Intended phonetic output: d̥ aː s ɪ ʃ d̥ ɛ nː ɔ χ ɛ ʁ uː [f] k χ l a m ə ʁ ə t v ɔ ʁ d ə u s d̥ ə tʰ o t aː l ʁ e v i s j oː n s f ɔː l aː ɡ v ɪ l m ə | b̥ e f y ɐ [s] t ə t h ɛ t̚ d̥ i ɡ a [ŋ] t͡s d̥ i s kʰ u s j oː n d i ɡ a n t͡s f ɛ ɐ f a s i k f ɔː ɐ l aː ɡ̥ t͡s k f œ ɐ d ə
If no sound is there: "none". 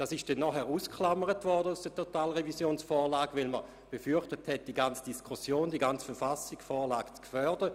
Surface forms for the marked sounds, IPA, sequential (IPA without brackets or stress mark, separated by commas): s, χ, n